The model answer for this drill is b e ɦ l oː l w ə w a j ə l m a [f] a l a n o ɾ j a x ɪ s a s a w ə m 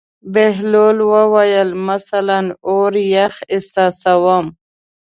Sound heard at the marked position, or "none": s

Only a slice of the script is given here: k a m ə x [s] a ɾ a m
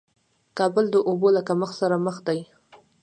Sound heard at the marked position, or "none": s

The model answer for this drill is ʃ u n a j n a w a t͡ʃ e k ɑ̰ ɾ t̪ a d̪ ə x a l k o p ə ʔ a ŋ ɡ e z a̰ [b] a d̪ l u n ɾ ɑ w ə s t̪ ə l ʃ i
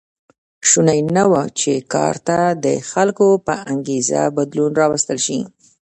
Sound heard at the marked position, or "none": b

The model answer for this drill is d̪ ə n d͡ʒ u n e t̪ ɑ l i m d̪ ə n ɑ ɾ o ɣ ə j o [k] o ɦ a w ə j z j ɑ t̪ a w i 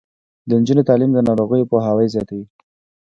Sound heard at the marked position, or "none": p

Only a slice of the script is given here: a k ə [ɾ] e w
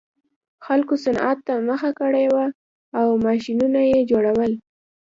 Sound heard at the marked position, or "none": ɽ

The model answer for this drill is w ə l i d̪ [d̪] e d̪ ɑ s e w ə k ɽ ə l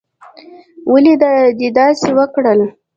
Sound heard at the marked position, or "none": d̪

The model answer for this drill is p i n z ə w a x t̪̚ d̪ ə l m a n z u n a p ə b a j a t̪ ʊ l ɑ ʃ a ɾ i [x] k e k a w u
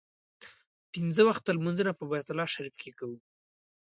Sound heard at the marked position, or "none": f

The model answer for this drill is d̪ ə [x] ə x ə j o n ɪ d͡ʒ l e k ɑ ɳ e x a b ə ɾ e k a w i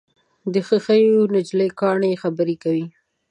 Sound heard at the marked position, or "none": x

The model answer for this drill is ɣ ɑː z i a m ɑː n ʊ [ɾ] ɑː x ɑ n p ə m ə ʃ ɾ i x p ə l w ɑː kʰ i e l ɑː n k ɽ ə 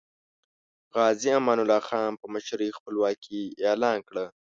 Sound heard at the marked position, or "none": l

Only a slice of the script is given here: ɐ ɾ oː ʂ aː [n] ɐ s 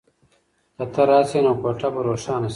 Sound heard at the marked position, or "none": n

